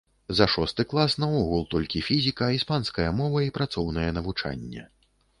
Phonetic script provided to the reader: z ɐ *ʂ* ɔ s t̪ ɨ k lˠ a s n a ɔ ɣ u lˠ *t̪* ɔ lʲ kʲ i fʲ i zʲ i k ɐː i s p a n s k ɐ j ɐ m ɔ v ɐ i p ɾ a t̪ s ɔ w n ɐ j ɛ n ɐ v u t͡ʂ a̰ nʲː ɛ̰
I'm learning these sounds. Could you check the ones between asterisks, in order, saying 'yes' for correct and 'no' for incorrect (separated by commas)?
yes, yes